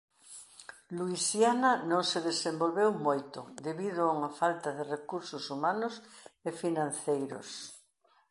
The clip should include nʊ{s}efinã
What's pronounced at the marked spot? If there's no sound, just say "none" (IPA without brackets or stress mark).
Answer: s